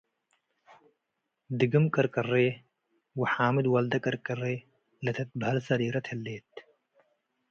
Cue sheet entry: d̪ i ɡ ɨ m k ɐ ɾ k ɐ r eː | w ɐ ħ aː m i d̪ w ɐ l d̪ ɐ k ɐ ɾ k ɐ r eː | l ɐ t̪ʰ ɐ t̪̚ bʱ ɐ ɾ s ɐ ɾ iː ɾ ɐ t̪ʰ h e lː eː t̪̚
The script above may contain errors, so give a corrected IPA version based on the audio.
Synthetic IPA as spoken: d̪ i ɡ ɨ m k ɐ ɾ k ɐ r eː | w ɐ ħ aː m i d̪ w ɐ l d̪ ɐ k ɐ ɾ k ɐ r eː | l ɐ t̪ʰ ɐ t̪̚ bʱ ɐ l s ɐ ɾ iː ɾ ɐ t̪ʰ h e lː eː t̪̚

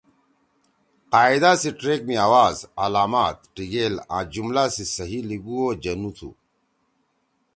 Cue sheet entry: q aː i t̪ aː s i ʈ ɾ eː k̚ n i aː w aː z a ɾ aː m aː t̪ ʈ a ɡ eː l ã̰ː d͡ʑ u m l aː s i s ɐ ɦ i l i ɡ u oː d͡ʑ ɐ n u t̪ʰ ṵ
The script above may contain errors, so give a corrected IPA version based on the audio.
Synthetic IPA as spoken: q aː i d̪ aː s i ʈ ɾ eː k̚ m i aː w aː z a l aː m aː t̪ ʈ i ɡ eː l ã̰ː d͡ʑ u m l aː s i s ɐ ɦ i l i ɡ u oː d͡ʑ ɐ n u t̪ʰ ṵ

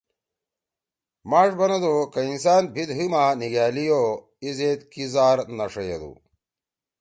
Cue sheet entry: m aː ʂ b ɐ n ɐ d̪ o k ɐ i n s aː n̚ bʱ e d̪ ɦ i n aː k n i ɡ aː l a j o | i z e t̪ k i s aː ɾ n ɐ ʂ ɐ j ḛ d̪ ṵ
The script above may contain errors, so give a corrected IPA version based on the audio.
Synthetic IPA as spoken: m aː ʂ b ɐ n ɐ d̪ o k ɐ i n s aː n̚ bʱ i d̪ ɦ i m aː n i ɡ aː l i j o | i z e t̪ k i z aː ɾ n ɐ ʂ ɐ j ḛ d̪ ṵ

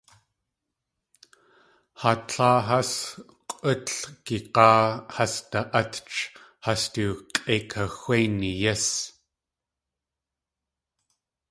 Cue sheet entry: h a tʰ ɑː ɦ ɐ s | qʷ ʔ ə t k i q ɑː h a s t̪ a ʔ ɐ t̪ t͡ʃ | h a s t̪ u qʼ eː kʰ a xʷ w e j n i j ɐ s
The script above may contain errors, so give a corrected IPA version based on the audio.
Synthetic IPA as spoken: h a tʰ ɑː ɦ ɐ s | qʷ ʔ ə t k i q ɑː h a s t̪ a ʔ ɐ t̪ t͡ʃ | h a s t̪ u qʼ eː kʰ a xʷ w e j n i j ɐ s

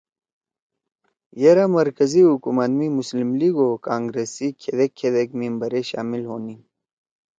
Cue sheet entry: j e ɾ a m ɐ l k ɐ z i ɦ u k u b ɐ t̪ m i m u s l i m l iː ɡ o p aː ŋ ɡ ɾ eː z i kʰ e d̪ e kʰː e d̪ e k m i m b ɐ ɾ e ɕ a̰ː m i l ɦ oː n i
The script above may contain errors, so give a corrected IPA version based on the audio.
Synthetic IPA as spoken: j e ɾ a m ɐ ɾ k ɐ z i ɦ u k u m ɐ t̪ m i m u s l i m l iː ɡ o k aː ŋ ɡ ɾ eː s i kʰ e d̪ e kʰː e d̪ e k m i m b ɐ ɾ e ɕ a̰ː m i l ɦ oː n i

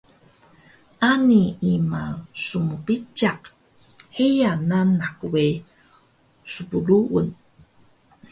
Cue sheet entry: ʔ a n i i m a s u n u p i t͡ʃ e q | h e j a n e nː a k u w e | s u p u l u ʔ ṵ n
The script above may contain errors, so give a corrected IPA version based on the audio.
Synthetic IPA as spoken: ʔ a n i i m a s u m u p i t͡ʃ a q | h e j a n a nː a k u w e | s u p u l u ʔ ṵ n

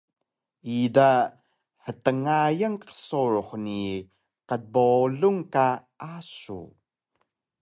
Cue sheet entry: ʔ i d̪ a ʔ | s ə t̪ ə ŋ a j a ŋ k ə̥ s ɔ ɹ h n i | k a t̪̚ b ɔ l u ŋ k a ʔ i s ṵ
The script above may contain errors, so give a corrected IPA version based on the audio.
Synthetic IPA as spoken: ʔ i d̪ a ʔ | h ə t̪ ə ŋ a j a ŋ k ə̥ s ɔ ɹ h n i | k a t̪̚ b ɔ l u ŋ k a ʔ a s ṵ

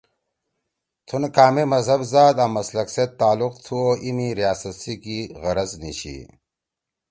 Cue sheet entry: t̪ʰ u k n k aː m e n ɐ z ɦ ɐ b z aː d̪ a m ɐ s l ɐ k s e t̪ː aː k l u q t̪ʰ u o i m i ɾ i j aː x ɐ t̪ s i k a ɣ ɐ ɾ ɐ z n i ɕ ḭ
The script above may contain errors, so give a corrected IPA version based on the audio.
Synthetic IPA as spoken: t̪ʰ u n k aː m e m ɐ z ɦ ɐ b z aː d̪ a m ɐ s l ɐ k s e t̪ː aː l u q t̪ʰ u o i m i ɾ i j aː s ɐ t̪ s i k i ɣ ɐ ɾ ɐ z n i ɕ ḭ

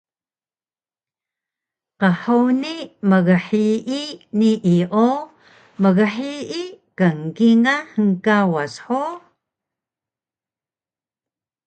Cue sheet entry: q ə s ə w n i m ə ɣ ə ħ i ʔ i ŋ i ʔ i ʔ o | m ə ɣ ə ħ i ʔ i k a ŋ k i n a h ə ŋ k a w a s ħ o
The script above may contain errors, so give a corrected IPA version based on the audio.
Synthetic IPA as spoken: q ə ħ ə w n i m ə ɣ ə ħ i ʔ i n i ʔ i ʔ o | m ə ɣ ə ħ i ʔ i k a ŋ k i ŋ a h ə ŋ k a w a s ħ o

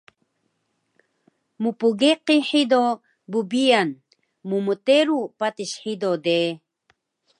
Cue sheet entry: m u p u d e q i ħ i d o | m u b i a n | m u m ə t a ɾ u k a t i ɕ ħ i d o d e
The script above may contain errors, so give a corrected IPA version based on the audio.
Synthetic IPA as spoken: m u p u ɡ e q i ħ i d o | b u b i a n | m u m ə t e ɾ u p a t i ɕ ħ i d o d e

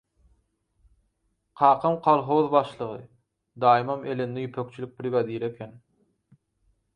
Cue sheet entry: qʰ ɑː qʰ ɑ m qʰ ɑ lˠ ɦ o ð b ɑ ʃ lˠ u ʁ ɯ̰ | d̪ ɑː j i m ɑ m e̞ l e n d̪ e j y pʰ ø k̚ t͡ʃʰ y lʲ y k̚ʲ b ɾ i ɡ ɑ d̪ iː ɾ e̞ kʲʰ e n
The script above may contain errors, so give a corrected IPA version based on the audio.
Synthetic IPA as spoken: qʰ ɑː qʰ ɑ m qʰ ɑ lˠ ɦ o ð b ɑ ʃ lˠ ɯ ʁ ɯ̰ | d̪ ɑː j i m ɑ m e̞ l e n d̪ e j y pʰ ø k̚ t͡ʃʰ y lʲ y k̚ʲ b ɾ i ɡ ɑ d̪ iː ɾ e̞ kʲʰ e n

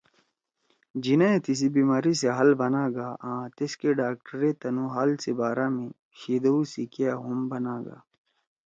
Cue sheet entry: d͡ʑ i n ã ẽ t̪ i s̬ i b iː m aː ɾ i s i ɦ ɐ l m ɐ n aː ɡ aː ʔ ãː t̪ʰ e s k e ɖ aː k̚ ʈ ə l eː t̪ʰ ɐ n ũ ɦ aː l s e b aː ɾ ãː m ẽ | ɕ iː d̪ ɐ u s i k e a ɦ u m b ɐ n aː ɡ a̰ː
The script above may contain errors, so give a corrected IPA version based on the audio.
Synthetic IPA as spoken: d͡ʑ i n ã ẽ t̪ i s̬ i b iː m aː ɾ i s e ɦ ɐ l b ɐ n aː ɡ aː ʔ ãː t̪ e s k e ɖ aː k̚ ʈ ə ɾ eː t̪ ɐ n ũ ɦ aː l s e b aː ɾ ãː m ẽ | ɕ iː d̪ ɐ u s i k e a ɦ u m b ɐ n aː ɡ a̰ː

